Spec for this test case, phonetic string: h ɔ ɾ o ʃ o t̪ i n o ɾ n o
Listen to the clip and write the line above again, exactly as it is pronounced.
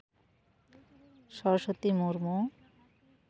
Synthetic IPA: ʃ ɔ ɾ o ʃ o t̪ i m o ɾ m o

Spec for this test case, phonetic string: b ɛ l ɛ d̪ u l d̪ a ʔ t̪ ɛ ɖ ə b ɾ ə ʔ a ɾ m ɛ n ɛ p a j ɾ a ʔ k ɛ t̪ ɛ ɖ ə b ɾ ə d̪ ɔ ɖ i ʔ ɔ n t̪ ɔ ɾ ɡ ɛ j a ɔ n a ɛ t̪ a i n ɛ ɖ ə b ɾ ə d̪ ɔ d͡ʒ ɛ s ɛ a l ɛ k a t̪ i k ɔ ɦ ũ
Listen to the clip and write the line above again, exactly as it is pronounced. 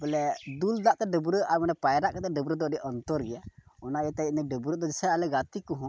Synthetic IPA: b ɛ l ɛ d̪ u l d̪ a ʔ t̪ ɛ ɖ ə b ɾ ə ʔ a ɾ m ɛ n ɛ p a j ɾ a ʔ k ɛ t̪ ɛ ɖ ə b ɾ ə d̪ ɔ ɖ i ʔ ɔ n t̪ ɔ ɾ ɡ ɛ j a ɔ n a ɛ t̪ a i n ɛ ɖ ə b ɾ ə d̪ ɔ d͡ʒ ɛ s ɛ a l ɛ ɡ a t̪ i k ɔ ɦ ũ

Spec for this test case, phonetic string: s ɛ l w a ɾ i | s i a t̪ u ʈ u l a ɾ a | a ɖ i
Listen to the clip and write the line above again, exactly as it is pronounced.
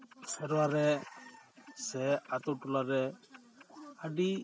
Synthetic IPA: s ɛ ɾ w a ɾ ɛ | s ɛ a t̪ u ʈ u l a ɾ ɛ | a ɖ i

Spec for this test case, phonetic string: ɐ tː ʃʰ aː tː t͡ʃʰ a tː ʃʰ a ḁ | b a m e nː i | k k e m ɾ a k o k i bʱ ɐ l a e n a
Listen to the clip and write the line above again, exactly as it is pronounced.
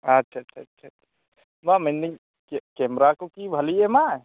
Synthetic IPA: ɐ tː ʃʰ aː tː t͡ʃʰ a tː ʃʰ a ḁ | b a m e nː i | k k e m ɾ a k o k i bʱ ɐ l i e m a

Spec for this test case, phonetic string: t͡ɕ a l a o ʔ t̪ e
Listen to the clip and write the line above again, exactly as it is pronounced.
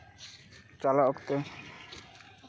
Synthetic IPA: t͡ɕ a l a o k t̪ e

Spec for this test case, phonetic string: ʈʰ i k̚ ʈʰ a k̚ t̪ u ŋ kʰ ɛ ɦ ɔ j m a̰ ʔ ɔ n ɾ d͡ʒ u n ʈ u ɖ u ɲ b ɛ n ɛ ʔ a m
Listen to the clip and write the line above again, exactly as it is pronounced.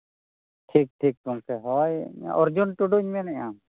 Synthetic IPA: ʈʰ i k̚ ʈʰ i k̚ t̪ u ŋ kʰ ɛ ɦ ɔ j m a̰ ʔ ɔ ɾ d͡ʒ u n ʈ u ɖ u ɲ m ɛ n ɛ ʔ a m

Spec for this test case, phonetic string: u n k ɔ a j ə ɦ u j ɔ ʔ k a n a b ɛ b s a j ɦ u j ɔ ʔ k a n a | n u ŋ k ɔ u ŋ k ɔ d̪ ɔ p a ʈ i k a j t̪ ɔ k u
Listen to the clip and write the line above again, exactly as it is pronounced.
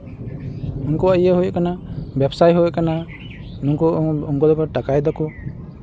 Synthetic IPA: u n k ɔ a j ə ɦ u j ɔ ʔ k a n a b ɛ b s a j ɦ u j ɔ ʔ k a n a | n u ŋ k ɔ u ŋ k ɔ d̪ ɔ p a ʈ a k a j d̪ ɔ k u

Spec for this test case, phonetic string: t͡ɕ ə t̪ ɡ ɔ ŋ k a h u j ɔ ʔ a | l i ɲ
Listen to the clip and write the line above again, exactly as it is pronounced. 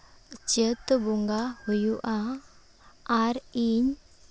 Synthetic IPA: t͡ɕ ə t̪ b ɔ ŋ ɡ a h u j u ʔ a | ɾ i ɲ

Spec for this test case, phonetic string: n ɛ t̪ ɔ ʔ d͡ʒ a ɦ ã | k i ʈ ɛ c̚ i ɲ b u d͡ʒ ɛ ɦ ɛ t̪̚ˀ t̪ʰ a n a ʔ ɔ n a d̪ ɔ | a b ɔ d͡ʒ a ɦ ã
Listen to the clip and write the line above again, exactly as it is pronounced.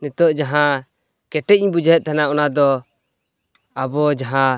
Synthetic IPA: n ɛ t̪ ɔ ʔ d͡ʒ a ɦ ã | k ɛ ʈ ɛ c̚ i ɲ b u d͡ʒ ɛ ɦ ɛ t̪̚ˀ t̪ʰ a n a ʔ ɔ n a d̪ ɔ | a b ɔ d͡ʒ a ɦ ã

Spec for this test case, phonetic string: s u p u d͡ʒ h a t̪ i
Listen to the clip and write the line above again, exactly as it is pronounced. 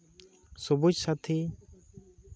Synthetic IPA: s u b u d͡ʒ s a t̪ʰ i

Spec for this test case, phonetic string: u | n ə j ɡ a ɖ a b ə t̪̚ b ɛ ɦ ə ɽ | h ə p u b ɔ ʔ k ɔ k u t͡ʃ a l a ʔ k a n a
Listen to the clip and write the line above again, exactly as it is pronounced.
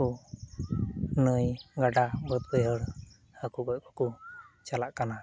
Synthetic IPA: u | n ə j ɡ a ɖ a b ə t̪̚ b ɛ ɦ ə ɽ | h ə k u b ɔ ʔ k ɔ k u t͡ʃ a l a ʔ k a n a

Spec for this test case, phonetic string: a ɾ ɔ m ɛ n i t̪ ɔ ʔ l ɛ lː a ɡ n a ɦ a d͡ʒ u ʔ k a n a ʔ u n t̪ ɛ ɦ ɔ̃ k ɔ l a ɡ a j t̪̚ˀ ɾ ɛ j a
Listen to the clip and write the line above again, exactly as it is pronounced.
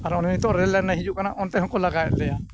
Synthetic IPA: a ɾ ɔ n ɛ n i t̪ ɔ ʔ ɾ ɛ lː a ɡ n a ɦ i d͡ʒ u ʔ k a n a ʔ ɔ n t̪ ɛ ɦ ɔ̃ k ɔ l a ɡ a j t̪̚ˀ l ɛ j a

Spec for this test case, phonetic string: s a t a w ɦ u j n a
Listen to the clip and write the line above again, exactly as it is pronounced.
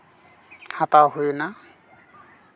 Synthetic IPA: h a t a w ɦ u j n a

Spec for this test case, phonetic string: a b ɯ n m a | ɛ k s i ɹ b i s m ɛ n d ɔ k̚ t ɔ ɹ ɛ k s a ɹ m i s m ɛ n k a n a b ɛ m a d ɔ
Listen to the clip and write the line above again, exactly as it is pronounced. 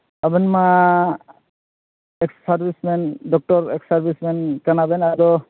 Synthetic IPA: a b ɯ n m a | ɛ k s a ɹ b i s m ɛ n d ɔ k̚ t ɔ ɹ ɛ k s a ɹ b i s m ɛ n k a n a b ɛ n a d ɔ

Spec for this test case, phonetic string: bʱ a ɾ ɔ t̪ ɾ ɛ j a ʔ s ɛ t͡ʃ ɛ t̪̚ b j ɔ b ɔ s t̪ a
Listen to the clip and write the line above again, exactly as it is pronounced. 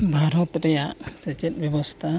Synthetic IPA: bʱ a ɾ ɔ t̪ ɾ ɛ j a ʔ s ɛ t͡ʃ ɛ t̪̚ b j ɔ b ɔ s t̪ʰ a

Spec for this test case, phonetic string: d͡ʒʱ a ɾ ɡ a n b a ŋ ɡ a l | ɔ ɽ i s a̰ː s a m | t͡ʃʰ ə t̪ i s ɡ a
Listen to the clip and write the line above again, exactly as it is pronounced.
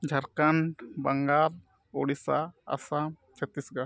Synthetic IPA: d͡ʒʱ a ɾ k a n b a ŋ ɡ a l | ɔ ɽ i s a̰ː s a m | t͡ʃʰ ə t̪ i s ɡ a

